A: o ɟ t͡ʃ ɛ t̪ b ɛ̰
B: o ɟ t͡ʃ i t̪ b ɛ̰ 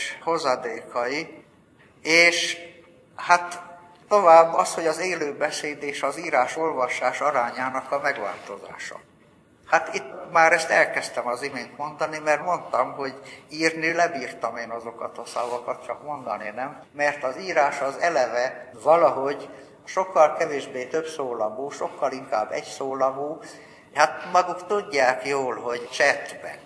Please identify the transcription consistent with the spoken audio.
A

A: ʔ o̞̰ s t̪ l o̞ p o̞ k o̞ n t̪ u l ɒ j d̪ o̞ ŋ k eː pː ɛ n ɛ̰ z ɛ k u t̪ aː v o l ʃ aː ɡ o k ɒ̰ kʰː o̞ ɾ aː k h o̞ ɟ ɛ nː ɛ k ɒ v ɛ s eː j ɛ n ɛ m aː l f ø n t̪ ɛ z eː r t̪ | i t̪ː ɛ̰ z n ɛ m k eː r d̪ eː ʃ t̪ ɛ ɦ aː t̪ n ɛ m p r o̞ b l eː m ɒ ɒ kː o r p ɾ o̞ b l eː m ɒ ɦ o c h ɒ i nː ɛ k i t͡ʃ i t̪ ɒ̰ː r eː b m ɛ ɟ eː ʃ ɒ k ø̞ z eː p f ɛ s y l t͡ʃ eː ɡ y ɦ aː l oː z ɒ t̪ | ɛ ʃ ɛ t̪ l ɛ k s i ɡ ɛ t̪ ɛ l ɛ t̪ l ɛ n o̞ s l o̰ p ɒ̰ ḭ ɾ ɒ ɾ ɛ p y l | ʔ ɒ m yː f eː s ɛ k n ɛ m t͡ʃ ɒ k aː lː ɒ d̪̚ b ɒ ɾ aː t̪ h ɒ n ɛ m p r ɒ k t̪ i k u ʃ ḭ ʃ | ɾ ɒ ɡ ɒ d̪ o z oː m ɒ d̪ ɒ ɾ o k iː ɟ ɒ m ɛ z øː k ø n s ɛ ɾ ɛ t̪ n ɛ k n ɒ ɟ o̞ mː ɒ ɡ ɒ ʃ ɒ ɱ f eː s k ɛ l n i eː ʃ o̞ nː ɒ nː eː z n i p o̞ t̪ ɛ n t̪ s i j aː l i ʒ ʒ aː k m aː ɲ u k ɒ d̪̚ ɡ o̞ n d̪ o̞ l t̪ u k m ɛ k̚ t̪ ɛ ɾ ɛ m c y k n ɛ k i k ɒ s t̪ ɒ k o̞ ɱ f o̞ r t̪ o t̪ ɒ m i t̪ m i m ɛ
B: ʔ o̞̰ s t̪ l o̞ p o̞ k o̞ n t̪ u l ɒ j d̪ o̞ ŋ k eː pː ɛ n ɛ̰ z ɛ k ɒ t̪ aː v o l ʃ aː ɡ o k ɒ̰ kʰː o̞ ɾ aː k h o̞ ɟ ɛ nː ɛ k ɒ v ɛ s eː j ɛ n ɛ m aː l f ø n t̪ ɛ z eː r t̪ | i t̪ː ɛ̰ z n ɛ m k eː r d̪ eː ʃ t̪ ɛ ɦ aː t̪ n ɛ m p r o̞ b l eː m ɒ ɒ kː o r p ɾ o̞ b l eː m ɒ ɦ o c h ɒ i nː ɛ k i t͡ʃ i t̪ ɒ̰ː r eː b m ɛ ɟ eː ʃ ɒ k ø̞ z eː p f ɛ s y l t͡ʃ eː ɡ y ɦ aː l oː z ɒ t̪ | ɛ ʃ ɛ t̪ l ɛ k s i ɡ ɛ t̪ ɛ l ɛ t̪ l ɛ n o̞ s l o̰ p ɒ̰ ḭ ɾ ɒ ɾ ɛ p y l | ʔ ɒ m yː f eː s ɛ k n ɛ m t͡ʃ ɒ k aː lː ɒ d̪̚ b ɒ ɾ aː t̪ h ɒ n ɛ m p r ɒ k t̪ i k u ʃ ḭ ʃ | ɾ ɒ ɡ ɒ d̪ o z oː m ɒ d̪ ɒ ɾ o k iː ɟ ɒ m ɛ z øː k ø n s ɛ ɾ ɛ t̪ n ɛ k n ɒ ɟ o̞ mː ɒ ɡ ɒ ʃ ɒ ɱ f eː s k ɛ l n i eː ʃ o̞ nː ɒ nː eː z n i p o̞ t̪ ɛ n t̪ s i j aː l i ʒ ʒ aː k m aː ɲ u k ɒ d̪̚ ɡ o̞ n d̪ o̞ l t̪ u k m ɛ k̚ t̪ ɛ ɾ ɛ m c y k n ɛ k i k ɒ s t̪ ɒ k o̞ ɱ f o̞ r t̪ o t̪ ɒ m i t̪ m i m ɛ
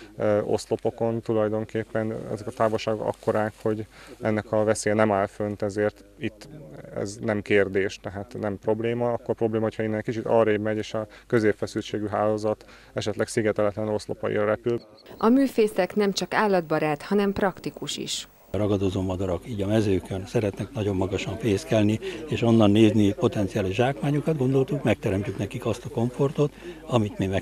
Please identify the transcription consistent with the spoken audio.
B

